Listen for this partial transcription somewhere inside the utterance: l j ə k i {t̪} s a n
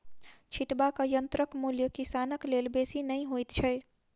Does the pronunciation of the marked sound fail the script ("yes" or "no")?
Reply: yes